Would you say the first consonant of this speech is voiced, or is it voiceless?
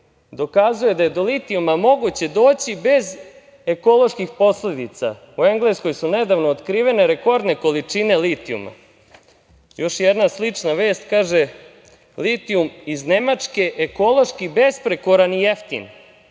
voiced